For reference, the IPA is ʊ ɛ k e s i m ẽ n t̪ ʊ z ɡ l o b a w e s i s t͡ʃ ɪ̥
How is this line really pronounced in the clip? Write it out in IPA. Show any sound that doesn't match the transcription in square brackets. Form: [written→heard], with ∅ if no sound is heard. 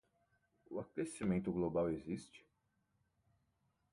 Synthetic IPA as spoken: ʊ [ɛ→a] k e s i m ẽ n t̪ ʊ [z→∅] ɡ l o b a w e [s→z] i s t͡ʃ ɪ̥

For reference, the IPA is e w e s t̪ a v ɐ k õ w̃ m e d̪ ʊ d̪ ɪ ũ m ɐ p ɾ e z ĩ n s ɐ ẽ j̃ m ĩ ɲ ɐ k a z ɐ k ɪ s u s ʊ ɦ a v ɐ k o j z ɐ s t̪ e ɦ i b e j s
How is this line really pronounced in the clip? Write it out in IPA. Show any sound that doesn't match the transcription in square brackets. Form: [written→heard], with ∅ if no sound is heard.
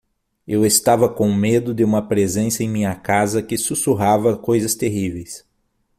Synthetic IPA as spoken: e w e s t̪ a v ɐ k õ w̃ m e d̪ ʊ d̪ ɪ ũ m ɐ p ɾ e z [ĩ→ẽ] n s ɐ ẽ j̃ m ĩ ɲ ɐ k a z ɐ k ɪ s u s [ʊ→u] ɦ a v ɐ k o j z ɐ s t̪ e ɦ i [b→v] e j s

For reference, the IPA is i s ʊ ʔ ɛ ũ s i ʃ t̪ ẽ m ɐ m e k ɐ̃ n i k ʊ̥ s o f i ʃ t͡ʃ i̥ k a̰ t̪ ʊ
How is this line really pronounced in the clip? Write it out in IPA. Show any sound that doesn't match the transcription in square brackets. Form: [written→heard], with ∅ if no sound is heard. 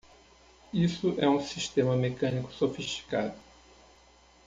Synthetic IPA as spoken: i s ʊ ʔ ɛ ũ s i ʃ t̪ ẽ m ɐ m e k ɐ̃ n i k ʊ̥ s o f i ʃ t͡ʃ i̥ k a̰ [t̪→d̪] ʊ

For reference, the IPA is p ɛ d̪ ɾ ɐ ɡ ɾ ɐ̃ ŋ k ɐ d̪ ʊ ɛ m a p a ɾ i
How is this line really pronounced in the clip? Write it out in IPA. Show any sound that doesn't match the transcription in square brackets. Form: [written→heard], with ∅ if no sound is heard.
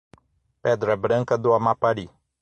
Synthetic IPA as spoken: p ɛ d̪ ɾ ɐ [ɡ→b] ɾ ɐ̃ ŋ k ɐ d̪ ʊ [ɛ→a] m a p a ɾ i

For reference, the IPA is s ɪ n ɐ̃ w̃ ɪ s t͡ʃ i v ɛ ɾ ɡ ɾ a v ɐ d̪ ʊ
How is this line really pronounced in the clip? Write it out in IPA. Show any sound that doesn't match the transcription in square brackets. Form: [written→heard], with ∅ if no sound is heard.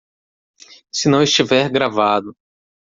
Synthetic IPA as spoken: s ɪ n ɐ̃ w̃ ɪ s t͡ʃ i v ɛ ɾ ɡ ɾ a v [ɐ→a] d̪ ʊ

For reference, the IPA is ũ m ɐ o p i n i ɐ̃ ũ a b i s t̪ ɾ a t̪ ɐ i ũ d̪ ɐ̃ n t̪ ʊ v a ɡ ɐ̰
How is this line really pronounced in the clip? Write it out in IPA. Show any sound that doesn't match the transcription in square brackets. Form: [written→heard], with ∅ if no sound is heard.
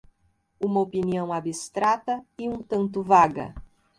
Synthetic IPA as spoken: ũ m ɐ o p i n i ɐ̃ [ũ→w̃] a b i s t̪ ɾ a t̪ ɐ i ũ [d̪→t̪] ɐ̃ n t̪ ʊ v a ɡ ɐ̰

